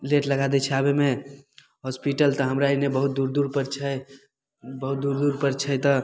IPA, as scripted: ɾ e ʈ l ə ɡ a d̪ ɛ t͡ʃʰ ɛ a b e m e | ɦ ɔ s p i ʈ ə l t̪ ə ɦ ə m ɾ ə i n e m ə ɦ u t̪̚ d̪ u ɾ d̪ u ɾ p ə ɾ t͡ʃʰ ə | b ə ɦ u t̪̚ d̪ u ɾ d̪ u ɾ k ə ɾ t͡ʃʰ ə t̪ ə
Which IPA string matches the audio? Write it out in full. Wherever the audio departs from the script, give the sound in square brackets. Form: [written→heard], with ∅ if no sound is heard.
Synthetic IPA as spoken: [ɾ→l] e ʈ l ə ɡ a d̪ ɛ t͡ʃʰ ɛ a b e m e | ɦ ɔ s p i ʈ ə l t̪ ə ɦ ə m ɾ [ə→a] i n e [m→b] ə ɦ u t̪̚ d̪ u ɾ d̪ u ɾ p ə ɾ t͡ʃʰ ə | b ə ɦ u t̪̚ d̪ u ɾ d̪ u ɾ [k→p] ə ɾ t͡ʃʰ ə t̪ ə